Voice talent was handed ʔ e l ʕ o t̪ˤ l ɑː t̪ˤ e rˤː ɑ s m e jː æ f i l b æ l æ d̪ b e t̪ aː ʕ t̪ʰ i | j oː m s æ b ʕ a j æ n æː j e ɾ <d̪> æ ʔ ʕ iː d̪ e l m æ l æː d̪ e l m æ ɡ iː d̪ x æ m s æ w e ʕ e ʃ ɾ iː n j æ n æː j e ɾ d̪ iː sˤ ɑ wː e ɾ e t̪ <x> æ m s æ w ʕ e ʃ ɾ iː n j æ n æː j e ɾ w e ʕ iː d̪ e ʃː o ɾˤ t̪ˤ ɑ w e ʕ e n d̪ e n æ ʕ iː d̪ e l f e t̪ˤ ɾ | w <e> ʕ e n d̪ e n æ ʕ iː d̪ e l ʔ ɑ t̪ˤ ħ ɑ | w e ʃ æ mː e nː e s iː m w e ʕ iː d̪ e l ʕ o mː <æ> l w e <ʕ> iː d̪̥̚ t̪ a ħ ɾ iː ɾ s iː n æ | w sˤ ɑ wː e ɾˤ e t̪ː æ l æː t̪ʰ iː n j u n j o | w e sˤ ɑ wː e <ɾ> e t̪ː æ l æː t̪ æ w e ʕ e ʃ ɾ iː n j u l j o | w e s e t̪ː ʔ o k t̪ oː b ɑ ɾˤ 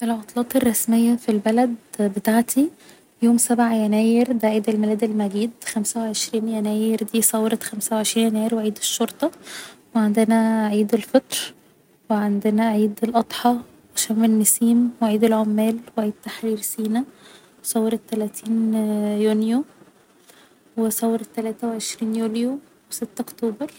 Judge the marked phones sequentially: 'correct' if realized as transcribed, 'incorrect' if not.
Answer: correct, correct, correct, incorrect: æː, correct, correct

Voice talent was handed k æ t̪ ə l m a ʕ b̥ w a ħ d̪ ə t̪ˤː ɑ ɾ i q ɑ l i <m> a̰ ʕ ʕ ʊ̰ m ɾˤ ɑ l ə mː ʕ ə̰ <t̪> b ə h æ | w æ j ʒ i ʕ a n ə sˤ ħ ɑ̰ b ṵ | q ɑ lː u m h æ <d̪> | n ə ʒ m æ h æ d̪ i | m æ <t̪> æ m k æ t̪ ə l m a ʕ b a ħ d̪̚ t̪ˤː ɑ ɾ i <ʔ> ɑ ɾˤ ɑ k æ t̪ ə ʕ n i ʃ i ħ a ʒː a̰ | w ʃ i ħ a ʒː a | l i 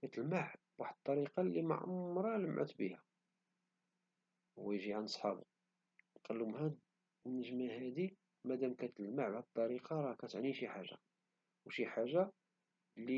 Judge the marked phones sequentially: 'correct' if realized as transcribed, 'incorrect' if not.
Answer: correct, correct, correct, incorrect: d̪, incorrect: q

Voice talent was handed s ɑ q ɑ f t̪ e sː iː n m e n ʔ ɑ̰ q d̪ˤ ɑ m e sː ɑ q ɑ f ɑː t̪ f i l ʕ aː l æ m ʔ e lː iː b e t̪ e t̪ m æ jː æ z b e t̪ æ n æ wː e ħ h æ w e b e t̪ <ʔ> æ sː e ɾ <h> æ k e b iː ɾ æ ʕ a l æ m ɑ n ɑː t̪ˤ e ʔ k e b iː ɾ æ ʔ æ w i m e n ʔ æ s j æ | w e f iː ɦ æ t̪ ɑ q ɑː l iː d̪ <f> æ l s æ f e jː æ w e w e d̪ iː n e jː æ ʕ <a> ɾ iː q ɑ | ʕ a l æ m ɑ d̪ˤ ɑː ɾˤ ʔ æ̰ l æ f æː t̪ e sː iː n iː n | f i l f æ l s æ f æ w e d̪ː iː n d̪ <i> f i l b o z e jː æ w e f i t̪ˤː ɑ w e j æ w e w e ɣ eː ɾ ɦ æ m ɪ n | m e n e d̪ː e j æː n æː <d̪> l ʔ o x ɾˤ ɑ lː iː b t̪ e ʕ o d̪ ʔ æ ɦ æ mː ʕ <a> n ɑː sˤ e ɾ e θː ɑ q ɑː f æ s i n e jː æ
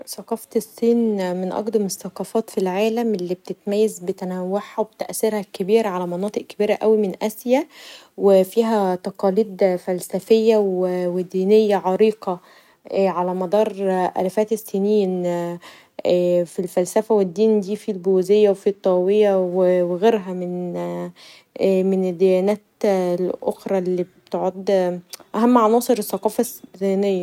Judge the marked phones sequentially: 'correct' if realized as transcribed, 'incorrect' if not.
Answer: correct, correct, correct, incorrect: ɑ, incorrect: iː, incorrect: t̪, incorrect: ɑ

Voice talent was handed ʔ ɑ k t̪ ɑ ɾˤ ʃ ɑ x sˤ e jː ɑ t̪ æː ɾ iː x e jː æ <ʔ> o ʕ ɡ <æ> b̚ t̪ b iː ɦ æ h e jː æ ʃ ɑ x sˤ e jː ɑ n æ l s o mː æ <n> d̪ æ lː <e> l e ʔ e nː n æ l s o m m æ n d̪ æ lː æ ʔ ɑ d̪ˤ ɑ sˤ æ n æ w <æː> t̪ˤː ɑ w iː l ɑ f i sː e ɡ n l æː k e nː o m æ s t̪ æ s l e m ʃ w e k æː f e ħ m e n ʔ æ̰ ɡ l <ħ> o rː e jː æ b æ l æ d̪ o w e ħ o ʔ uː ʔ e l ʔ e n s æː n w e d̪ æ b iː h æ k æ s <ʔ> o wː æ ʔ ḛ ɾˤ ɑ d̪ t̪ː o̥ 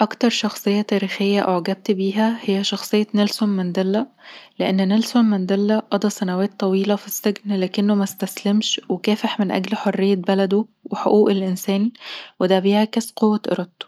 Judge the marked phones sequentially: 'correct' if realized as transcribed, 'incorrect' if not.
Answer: correct, correct, correct, incorrect: æ, correct, correct, incorrect: q

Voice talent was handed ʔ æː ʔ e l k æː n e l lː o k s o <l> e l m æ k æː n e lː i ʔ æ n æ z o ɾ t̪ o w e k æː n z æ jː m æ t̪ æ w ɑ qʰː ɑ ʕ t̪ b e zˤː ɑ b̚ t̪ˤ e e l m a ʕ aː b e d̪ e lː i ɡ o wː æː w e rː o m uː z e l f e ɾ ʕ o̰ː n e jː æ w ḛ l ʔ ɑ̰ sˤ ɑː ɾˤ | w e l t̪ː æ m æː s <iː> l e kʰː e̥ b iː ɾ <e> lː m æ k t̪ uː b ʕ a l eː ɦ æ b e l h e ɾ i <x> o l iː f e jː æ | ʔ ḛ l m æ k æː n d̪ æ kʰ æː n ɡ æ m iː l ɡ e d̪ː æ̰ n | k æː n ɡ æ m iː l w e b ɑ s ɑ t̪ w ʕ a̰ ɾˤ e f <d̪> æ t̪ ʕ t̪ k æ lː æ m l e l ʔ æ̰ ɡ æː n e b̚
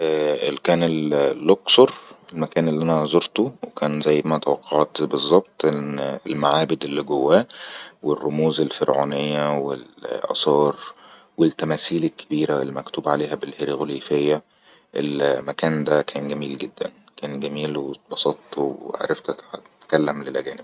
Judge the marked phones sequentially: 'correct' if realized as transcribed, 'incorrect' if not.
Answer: incorrect: ɾ, correct, incorrect: æ, incorrect: ɣ, incorrect: t̪

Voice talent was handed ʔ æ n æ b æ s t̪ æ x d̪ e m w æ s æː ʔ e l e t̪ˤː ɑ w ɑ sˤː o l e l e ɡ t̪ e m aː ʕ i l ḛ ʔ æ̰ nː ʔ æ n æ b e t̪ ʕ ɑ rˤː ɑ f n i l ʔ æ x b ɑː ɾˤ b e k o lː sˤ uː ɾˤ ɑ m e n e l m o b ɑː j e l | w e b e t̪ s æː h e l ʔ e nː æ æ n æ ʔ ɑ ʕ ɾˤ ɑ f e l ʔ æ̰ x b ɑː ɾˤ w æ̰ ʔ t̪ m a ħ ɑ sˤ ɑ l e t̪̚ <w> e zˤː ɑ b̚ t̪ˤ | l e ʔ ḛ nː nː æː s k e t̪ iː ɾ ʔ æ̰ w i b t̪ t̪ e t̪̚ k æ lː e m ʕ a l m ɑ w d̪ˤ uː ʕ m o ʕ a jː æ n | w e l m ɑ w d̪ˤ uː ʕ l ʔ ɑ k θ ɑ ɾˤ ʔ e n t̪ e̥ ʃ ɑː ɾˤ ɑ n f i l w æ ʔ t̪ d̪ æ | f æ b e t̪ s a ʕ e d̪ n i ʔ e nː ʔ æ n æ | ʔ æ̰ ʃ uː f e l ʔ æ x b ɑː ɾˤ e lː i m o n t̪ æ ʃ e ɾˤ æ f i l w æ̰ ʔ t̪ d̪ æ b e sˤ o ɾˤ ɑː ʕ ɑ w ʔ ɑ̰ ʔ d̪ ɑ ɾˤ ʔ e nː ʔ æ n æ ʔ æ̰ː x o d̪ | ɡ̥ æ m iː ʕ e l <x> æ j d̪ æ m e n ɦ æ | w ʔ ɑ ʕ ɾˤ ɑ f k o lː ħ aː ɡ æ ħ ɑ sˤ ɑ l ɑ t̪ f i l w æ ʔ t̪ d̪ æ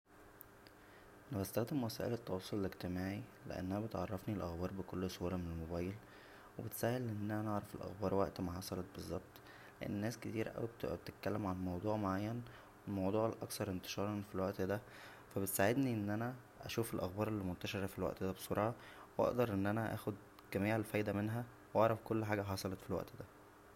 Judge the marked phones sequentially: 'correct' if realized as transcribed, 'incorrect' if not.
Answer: incorrect: b, incorrect: f

